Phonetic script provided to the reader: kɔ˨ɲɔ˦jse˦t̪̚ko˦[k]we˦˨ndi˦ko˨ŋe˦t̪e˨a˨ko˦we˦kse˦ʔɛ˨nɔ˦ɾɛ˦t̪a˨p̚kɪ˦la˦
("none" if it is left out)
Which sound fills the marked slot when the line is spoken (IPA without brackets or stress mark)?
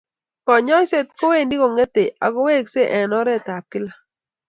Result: none